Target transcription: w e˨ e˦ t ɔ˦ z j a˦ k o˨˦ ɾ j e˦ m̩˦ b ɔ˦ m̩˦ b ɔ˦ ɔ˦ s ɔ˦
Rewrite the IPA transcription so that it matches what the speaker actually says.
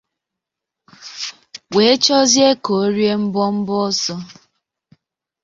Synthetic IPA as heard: w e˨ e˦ t͡ʃ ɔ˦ z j e˦ k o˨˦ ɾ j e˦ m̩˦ b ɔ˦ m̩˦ b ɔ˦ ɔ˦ s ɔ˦